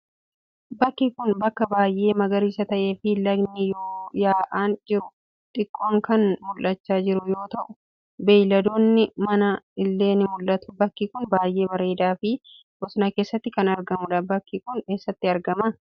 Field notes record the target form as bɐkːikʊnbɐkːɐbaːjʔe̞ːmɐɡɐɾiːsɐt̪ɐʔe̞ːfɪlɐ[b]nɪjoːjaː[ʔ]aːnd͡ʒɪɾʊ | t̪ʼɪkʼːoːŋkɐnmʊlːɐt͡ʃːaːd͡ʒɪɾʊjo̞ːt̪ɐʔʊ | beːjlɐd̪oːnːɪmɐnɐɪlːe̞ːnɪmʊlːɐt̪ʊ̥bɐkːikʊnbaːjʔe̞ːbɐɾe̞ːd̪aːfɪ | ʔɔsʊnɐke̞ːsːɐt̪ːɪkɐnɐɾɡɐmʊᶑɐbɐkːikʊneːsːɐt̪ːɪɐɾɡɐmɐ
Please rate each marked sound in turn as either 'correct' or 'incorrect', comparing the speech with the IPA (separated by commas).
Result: incorrect, correct